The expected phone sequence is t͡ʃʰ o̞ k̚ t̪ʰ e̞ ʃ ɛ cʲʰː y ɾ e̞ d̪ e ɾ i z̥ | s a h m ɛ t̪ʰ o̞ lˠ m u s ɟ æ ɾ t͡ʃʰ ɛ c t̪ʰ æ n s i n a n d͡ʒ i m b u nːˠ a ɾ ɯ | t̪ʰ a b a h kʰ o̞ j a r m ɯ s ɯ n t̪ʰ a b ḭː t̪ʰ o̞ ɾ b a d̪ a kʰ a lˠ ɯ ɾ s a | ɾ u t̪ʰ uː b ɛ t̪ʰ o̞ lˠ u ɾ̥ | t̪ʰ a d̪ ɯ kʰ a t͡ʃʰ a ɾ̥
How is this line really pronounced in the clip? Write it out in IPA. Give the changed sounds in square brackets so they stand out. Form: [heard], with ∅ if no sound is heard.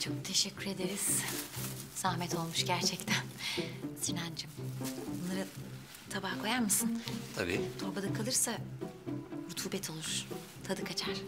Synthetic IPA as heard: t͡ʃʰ o̞ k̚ t̪ʰ e̞ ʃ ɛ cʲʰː y ɾ e̞ d̪ e ɾ i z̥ | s a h m ɛ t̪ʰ o̞ lˠ m u [ʃ] ɟ æ ɾ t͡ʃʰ ɛ c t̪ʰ æ n s i n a n d͡ʒ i m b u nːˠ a ɾ ɯ | t̪ʰ a b a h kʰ o̞ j a [ɾ] m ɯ s ɯ n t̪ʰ a b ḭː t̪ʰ o̞ ɾ b a d̪ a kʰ a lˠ ɯ ɾ s a | ɾ u t̪ʰ uː b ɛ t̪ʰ o̞ lˠ u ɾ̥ | t̪ʰ a d̪ ɯ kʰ a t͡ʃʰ a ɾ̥

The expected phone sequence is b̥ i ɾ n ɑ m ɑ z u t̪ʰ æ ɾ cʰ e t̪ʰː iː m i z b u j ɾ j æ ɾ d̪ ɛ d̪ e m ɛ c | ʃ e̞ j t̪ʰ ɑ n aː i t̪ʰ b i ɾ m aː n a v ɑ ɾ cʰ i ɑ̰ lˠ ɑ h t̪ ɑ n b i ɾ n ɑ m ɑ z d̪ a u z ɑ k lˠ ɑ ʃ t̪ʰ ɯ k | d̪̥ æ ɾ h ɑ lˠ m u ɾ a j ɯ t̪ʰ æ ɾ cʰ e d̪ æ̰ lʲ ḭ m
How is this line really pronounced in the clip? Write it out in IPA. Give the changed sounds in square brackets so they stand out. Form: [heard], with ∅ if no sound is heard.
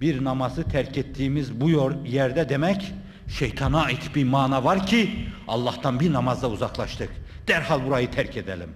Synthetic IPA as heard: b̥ i ɾ n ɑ m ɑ z [ɯ] t̪ʰ æ ɾ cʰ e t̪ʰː iː m i z b u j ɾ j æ ɾ d̪ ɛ d̪ e m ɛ c | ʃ e̞ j t̪ʰ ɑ n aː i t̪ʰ b i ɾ m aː n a v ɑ ɾ cʰ i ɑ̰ [lˠː] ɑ h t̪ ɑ n b i ɾ n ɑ m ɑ z d̪ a u z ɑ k lˠ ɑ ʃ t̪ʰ ɯ k | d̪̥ æ ɾ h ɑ lˠ [b] u ɾ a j ɯ t̪ʰ æ ɾ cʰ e d̪ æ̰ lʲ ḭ m

